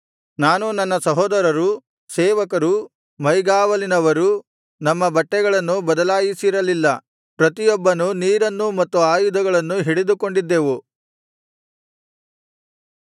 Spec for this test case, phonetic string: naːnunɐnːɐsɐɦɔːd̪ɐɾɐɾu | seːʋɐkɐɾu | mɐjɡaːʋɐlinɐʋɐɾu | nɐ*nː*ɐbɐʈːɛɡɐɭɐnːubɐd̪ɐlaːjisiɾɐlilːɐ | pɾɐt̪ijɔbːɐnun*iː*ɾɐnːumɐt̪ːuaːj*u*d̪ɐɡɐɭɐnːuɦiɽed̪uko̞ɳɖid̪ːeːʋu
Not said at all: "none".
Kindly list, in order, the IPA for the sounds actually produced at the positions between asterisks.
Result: mː, iː, u

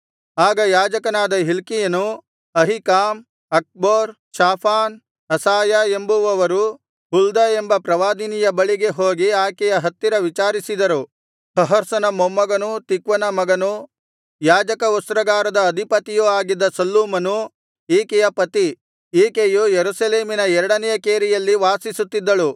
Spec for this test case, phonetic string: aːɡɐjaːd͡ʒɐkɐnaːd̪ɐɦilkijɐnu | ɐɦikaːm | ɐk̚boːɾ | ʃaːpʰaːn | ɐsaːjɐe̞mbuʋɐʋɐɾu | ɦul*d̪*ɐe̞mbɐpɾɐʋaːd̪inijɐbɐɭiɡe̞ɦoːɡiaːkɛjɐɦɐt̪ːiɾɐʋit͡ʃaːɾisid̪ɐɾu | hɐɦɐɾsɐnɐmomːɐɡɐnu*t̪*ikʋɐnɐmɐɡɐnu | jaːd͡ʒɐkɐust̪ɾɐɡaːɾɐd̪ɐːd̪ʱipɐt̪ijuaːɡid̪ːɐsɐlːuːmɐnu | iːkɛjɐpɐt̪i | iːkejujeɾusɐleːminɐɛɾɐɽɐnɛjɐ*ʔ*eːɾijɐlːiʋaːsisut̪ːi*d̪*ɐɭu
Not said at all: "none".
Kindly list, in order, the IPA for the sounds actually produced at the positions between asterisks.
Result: d̪, t̪, k, d̪ː

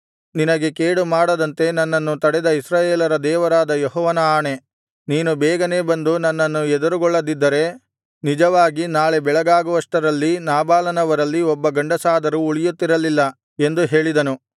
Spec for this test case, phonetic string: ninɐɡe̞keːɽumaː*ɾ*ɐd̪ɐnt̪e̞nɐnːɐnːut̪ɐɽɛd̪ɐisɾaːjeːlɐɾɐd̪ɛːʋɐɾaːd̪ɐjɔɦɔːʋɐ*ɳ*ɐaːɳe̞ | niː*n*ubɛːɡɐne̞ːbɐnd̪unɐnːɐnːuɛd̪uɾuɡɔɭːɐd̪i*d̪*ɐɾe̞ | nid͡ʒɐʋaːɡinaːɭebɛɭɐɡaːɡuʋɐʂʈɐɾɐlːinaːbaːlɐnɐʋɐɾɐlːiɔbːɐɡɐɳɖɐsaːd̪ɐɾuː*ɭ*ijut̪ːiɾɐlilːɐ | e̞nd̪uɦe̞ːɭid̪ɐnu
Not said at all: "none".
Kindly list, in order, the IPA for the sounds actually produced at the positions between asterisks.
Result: ɽ, n, n, d̪ː, ɭ

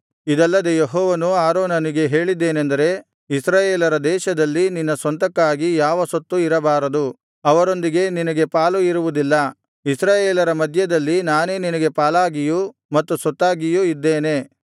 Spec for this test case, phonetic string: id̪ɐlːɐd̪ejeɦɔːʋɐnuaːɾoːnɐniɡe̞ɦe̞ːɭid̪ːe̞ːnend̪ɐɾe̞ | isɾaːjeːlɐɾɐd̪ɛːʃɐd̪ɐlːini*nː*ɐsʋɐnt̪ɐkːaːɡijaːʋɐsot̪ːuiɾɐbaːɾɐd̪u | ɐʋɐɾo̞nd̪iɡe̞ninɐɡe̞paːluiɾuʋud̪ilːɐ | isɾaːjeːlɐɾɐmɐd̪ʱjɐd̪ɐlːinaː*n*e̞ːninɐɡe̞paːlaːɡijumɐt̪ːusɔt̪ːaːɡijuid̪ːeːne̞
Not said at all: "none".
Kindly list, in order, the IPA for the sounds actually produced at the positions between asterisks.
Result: nː, n

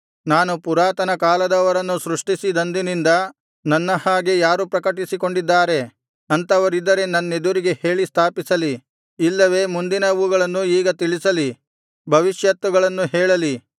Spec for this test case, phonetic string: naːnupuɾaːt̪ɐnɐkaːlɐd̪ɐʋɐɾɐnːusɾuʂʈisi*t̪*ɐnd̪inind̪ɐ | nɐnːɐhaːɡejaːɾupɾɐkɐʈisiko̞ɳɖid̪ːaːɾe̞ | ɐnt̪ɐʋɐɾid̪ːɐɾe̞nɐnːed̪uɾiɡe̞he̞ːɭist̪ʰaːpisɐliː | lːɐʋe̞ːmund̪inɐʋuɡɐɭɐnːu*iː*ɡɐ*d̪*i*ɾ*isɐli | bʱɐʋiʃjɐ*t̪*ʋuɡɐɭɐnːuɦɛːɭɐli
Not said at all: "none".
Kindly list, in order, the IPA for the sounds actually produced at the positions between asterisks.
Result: d̪, iː, t̪, ɭ, t̪

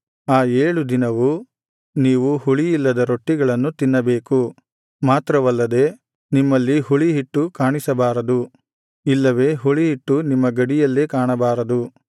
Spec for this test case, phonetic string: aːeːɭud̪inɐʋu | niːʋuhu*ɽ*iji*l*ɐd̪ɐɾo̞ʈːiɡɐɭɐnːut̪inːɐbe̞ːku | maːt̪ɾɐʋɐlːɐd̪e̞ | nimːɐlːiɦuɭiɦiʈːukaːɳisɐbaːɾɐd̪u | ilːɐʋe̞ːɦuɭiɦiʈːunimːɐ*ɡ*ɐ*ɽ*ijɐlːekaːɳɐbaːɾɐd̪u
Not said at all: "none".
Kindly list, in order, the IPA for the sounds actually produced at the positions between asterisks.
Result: ɭ, lː, ɡ, ɽ

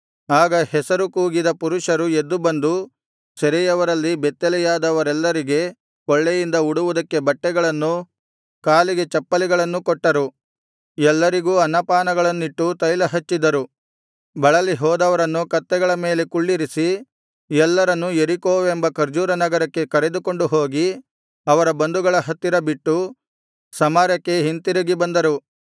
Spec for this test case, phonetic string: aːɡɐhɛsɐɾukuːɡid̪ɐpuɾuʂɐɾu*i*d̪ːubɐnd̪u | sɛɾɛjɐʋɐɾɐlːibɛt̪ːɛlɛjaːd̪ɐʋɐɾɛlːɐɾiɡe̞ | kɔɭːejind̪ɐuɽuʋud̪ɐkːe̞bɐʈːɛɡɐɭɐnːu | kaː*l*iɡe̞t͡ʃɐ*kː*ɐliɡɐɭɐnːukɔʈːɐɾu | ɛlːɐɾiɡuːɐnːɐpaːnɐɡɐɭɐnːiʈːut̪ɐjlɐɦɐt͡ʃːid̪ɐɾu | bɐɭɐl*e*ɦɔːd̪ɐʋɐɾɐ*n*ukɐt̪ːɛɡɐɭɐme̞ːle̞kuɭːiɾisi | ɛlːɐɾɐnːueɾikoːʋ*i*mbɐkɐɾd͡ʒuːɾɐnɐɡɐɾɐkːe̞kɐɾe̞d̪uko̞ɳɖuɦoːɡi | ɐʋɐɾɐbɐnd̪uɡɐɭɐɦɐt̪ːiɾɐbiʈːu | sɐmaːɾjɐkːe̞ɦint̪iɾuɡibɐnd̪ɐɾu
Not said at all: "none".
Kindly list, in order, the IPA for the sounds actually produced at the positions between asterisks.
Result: e, l, pː, i, nː, e

